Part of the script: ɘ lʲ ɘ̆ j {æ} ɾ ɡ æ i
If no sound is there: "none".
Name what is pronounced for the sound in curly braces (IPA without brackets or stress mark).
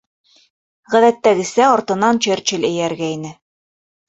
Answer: æ